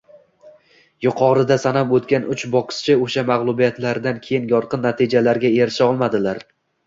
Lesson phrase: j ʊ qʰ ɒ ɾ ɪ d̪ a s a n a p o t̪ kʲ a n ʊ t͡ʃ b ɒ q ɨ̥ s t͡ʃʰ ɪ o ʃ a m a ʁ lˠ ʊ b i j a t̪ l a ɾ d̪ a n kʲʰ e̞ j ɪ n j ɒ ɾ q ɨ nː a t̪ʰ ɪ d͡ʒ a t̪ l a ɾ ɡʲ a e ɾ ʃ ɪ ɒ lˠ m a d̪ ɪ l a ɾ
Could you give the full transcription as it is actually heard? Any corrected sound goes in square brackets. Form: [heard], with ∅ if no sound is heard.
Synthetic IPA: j ʊ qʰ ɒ ɾ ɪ d̪ a s a n a p o t̪ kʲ a n ʊ t͡ʃ b ɒ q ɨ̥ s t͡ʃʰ ɪ o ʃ a m a ʁ lˠ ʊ b i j a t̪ l a ɾ d̪ a n kʲʰ e̞ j ɪ n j ɒ ɾ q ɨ nː a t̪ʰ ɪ d͡ʒ a [∅] l a ɾ ɡʲ a e ɾ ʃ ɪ ɒ lˠ m a d̪ ɪ l a ɾ